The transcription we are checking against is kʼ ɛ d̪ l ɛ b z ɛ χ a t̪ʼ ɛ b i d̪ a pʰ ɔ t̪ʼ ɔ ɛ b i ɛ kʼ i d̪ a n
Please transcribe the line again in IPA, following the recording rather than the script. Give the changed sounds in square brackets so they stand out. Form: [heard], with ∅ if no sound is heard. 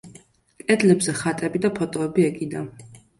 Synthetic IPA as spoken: kʼ ɛ d̪ l ɛ b z ɛ χ a t̪ʼ ɛ b i d̪ a pʰ ɔ t̪ʼ ɔ ɛ b i ɛ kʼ i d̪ a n

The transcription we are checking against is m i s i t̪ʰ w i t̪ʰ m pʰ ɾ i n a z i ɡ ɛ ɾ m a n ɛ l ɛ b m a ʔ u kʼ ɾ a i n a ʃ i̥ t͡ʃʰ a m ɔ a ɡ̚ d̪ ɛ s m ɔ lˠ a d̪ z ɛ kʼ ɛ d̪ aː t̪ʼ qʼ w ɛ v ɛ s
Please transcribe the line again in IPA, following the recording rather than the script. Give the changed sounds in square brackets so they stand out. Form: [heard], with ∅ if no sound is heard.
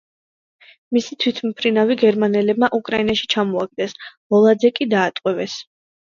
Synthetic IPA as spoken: m i s i t̪ʰ w i t̪ʰ m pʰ ɾ i n a [v] i ɡ ɛ ɾ m a n ɛ l ɛ b m a ʔ u kʼ ɾ a i n a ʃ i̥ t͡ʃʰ a m ɔ a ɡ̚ d̪ ɛ s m ɔ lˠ a d̪ z ɛ kʼ [i] d̪ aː t̪ʼ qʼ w ɛ v ɛ s

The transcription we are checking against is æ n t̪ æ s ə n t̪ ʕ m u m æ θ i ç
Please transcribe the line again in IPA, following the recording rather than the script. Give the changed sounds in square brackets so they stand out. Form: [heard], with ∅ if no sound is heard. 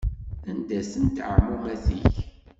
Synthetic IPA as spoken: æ n [d̪] æ s ə n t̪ ʕ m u m æ θ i ç

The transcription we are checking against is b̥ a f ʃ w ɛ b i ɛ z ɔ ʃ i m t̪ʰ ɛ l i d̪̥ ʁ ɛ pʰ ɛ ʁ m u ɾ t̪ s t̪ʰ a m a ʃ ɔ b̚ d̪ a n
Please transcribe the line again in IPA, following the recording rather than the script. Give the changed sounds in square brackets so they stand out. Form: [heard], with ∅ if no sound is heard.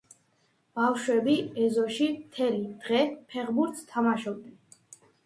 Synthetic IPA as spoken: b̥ a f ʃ w ɛ b i ɛ z ɔ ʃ i m t̪ʰ ɛ l i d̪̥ ʁ ɛ pʰ ɛ ʁ [b] u ɾ t̪ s t̪ʰ a m a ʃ ɔ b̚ d̪ [ɛ] n

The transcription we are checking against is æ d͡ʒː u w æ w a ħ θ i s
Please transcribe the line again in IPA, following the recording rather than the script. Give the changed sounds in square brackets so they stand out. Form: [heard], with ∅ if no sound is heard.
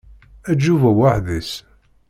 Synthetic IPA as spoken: æ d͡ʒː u [v] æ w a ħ [ð] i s

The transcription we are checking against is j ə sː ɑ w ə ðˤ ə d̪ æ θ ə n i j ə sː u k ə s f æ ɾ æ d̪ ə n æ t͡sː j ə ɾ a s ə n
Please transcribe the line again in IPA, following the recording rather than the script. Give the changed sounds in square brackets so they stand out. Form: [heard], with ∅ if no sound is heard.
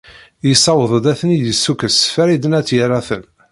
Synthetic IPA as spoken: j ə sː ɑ w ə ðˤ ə d̪ æ θ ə n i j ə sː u k ə s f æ ɾ [i] d̪ ə n æ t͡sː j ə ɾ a [θ] ə n

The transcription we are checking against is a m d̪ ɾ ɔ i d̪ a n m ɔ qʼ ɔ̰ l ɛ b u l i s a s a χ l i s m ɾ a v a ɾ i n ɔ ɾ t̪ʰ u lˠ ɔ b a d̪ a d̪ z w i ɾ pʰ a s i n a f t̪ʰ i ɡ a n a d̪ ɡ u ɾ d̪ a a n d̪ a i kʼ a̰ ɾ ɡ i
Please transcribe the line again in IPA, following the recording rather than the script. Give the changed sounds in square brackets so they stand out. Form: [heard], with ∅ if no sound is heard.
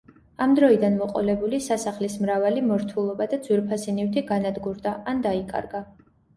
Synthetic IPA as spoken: a m d̪ ɾ ɔ i d̪ a n m ɔ qʼ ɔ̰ l ɛ b u l i s a s a χ l i s m ɾ a v a [l] i [m] ɔ ɾ t̪ʰ u lˠ ɔ b a d̪ a d̪ z w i ɾ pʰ a s i n [i] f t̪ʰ i ɡ a n a d̪ ɡ u ɾ d̪ a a n d̪ a i kʼ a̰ ɾ ɡ [a]

